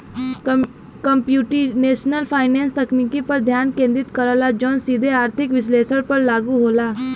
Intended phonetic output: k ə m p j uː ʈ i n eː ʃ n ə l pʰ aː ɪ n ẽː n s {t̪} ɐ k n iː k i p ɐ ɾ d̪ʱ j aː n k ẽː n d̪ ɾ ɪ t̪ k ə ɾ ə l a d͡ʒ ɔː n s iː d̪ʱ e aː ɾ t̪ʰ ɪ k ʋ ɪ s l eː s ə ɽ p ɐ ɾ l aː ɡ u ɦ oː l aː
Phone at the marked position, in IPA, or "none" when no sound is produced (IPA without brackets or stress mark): t̪